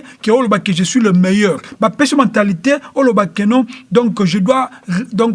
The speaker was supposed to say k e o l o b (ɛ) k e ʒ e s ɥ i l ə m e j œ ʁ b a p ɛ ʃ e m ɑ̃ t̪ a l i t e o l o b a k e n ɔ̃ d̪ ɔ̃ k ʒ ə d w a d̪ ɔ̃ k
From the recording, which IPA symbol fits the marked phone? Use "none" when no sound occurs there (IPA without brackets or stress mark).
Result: a